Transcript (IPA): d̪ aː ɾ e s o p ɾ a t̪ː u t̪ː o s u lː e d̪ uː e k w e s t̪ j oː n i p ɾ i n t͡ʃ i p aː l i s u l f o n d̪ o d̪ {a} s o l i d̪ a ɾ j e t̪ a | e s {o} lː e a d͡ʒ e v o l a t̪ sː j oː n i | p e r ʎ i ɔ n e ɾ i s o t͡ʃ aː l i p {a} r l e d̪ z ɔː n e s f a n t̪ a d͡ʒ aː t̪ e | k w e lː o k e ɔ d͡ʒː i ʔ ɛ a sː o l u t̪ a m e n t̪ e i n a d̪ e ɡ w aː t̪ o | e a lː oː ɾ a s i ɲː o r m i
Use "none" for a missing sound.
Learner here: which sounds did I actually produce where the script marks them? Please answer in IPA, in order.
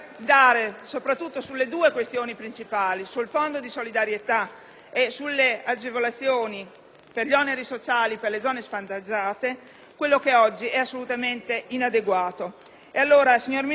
i, u, e

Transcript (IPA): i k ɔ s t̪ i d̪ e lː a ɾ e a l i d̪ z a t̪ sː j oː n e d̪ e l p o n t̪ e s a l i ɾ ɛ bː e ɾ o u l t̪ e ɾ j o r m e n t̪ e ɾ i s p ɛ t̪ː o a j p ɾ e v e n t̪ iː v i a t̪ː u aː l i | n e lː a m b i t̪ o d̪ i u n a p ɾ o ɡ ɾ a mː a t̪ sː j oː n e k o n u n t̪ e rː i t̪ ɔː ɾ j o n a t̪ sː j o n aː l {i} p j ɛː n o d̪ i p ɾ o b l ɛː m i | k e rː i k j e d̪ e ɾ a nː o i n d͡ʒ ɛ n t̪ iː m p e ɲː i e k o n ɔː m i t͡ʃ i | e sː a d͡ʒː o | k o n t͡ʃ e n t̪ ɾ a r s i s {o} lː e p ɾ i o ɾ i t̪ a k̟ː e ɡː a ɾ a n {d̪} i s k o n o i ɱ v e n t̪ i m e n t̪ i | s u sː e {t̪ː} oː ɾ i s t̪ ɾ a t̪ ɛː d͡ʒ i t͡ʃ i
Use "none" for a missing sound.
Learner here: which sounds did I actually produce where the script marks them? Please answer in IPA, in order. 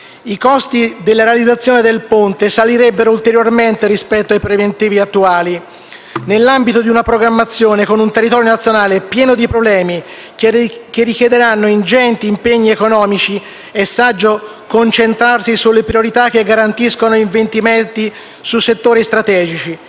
e, u, t̪, t̪ː

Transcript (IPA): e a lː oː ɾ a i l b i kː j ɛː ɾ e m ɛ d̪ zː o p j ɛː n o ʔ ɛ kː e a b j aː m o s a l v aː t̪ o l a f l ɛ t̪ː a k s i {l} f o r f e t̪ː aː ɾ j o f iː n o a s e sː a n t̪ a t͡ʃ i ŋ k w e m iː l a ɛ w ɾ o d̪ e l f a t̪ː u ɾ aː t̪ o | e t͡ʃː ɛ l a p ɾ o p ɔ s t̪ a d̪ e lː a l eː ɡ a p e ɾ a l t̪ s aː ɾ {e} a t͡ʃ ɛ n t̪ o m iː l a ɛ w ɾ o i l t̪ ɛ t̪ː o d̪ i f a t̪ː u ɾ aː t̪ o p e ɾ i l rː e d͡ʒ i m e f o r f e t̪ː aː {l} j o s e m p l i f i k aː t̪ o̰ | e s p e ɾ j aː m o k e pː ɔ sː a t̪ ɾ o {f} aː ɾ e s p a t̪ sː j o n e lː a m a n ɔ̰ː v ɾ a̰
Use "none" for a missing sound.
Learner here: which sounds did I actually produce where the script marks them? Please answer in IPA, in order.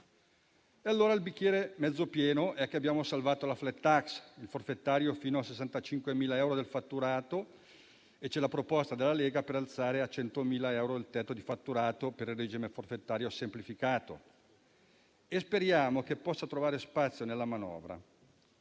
l, e, ɾ, v

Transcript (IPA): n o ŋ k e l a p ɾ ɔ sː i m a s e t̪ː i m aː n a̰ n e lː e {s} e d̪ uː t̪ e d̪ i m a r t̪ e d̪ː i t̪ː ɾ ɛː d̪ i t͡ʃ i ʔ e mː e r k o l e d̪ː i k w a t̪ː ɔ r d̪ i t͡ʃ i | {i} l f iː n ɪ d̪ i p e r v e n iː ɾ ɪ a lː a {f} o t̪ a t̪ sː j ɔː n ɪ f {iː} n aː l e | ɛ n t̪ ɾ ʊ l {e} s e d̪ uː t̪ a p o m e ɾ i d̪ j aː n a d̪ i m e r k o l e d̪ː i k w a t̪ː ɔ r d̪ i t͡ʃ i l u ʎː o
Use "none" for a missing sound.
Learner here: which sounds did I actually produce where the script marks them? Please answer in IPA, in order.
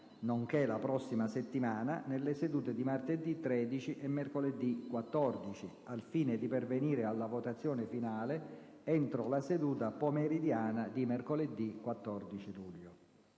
s, a, v, i, a

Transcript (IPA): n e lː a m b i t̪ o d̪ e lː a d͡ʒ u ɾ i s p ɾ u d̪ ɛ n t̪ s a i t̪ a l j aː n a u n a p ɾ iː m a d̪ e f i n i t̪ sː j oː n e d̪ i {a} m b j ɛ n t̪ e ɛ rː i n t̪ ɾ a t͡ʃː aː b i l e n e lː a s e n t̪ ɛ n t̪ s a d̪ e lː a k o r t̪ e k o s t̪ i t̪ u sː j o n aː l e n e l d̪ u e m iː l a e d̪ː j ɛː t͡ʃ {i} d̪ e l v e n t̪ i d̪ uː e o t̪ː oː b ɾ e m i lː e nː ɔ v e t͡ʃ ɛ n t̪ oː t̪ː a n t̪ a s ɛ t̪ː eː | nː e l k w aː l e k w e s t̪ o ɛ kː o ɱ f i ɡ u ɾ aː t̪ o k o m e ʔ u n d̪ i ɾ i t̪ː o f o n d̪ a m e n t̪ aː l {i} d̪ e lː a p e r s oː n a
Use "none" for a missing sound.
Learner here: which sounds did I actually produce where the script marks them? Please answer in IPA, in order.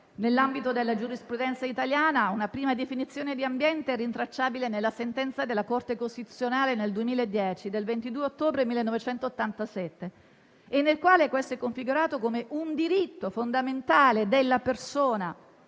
a, i, e

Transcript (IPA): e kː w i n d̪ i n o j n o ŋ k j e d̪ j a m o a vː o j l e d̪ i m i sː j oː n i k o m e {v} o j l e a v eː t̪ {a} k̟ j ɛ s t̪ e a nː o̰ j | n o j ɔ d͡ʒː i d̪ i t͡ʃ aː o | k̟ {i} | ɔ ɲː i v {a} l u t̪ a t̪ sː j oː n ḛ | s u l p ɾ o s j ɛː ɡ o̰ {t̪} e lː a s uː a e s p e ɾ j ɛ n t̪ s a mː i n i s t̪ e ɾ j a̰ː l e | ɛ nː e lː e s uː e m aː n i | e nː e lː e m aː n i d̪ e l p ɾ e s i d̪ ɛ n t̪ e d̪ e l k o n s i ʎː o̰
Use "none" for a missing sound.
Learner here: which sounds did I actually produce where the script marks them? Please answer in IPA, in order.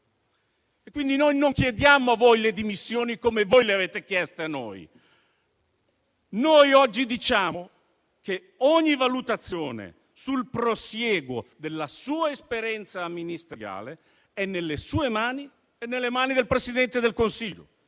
v, e, e, a, d̪

